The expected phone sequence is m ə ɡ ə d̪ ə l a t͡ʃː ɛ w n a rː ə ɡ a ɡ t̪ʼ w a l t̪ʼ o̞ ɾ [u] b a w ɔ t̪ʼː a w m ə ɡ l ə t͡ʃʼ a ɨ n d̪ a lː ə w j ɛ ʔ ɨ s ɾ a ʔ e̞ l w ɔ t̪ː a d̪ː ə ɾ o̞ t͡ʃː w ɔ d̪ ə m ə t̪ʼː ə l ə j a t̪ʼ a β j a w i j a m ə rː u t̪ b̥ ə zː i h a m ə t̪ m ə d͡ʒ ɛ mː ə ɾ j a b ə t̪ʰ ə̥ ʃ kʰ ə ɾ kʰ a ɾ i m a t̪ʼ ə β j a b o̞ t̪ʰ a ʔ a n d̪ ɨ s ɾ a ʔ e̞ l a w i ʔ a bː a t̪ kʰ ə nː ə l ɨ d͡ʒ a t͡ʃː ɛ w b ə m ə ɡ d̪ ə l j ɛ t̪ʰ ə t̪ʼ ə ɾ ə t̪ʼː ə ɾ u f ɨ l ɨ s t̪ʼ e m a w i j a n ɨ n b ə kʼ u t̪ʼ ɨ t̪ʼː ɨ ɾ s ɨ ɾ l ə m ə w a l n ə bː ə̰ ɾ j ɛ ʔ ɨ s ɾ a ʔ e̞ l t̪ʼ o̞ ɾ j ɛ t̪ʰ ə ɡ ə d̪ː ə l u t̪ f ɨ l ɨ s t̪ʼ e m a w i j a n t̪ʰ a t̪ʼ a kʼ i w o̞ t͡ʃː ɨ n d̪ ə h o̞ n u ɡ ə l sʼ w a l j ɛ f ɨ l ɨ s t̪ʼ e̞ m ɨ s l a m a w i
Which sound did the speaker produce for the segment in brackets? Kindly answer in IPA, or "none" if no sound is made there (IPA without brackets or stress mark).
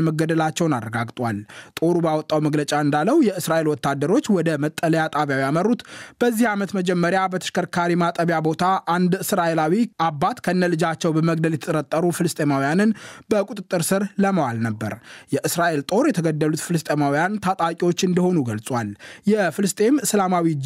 u